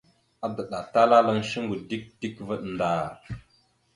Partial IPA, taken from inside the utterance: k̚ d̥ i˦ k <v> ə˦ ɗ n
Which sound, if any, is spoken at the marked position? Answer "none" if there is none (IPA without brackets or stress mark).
v